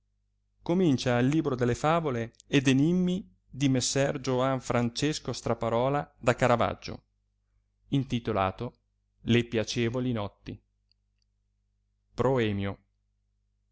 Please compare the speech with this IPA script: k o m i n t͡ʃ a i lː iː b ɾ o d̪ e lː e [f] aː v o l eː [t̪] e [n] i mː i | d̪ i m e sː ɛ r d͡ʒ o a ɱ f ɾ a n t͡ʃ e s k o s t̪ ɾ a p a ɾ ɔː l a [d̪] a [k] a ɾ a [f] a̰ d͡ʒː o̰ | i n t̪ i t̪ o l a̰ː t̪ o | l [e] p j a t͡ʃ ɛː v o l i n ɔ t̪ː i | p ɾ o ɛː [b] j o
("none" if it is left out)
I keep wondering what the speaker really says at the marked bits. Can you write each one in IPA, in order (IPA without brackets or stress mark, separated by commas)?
f, d̪, n, d̪, k, v, e, m